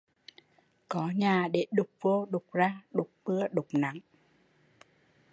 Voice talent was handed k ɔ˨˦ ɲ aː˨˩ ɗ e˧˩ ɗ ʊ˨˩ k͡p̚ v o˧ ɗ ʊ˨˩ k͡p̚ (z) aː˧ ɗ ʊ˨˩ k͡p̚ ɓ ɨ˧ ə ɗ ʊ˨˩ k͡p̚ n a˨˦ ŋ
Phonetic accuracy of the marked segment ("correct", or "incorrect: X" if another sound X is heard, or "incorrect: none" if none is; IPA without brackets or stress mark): correct